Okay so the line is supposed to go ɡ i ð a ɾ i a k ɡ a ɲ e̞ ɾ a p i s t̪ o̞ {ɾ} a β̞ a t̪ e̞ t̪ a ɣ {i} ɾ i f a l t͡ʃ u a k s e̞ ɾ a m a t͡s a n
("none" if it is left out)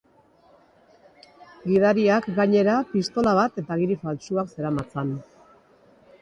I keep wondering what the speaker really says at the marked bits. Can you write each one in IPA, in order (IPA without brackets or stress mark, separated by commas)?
l, i